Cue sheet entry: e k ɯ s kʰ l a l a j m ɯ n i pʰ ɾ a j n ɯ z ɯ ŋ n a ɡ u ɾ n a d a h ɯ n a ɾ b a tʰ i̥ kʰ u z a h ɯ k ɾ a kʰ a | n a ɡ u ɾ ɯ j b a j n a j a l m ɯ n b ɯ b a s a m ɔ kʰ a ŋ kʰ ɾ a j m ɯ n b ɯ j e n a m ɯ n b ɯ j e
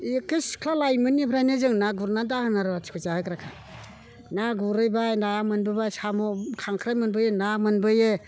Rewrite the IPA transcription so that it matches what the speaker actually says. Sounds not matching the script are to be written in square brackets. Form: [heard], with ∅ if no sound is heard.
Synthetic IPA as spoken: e k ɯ s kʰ l a l a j m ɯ n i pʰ ɾ a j n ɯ z ɯ ŋ n a ɡ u ɾ n a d a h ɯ n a ɾ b a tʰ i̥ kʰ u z a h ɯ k ɾ a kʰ a | n a ɡ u ɾ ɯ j b a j n a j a [∅] m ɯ n b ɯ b a s a m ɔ kʰ a ŋ kʰ ɾ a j m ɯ n b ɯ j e n a m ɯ n b ɯ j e